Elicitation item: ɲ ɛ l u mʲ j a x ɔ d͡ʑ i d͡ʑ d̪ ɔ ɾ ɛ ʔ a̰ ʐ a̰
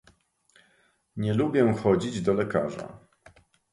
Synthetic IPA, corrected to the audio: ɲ ɛ l u bʲ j ɛ x ɔ d͡ʑ i d͡ʑ d̪ ɔ l ɛ k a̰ ʐ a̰